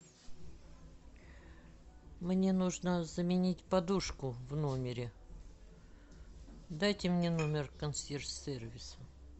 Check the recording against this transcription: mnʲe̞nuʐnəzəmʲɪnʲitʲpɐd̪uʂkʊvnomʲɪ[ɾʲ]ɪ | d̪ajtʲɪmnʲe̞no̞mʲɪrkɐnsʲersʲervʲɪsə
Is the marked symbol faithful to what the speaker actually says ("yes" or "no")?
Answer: yes